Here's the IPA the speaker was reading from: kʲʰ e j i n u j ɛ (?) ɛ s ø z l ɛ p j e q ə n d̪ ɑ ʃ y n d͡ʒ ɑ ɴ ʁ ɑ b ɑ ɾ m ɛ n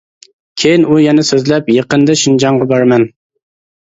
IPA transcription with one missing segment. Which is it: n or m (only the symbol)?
n